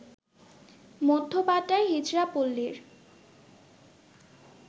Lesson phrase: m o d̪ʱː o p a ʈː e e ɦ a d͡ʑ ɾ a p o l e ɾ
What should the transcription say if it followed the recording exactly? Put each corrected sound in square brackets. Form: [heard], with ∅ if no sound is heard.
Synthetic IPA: m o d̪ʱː o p a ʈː [a] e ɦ [i] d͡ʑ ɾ a p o [lː] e ɾ